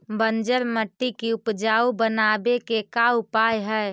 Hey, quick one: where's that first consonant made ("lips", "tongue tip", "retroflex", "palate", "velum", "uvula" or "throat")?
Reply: lips